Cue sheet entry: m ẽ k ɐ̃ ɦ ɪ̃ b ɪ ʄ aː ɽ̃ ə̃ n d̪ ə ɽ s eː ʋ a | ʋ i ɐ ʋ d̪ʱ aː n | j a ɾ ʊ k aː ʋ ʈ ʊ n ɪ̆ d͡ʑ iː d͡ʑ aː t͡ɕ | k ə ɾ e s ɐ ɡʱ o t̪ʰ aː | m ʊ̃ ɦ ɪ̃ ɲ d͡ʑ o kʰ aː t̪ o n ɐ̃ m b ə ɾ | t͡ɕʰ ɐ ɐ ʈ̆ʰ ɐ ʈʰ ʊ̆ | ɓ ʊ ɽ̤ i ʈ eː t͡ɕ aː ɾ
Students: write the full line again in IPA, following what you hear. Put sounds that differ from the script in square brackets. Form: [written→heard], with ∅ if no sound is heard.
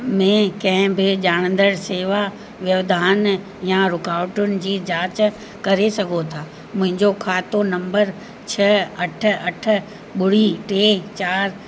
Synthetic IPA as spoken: m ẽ k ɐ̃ ɦ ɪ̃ b ɪ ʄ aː ɽ̃ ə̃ n d̪ ə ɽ s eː ʋ a | ʋ [i→j] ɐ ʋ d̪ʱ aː n | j a ɾ ʊ k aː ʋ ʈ ʊ n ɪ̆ d͡ʑ iː d͡ʑ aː t͡ɕ | k [ə→ɐ] ɾ e s ɐ ɡʱ o t̪ʰ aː | m ʊ̃ ɦ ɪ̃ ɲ d͡ʑ o kʰ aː t̪ o n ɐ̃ m b ə ɾ | t͡ɕʰ ɐ ɐ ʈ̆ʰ ɐ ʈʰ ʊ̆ | ɓ ʊ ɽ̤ i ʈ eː t͡ɕ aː ɾ